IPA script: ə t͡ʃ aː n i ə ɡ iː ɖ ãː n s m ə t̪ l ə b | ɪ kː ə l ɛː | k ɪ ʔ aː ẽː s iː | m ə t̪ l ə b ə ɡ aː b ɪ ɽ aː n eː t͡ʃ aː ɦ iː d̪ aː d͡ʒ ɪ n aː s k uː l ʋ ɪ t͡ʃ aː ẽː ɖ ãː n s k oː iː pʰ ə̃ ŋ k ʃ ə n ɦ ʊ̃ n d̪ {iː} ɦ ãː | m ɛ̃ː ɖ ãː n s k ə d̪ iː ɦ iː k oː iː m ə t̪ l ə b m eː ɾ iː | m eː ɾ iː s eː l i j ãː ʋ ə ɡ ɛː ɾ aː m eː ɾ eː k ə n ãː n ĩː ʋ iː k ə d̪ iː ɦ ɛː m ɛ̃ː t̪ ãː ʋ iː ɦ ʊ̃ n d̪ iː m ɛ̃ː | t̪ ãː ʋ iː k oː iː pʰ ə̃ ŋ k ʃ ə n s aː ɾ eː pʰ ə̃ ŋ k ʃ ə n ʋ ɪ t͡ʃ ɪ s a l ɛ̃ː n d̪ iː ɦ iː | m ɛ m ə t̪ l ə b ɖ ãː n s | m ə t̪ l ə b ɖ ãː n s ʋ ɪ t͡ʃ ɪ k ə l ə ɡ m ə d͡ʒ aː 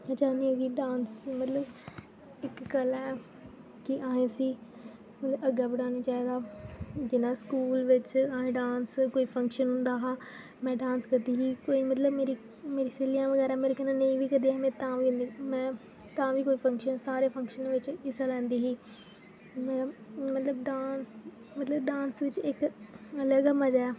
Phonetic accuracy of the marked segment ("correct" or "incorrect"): incorrect